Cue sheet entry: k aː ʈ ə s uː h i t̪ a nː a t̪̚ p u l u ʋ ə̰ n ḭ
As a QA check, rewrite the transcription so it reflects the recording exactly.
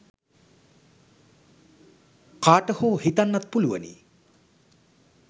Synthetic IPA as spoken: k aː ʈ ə h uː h i t̪ a nː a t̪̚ p u l u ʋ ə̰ n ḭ